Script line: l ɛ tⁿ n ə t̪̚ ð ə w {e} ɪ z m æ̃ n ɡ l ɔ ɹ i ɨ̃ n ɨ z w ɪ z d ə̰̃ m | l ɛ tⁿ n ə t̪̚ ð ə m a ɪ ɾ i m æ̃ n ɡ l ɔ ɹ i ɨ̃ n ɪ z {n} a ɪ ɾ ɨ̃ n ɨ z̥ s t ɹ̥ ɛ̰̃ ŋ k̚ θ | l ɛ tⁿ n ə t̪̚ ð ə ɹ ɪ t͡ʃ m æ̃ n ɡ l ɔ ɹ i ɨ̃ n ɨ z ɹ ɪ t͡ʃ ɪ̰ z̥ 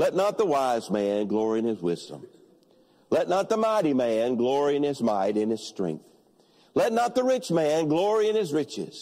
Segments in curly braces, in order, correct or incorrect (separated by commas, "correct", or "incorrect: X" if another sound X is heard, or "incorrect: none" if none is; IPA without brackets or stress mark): incorrect: a, incorrect: m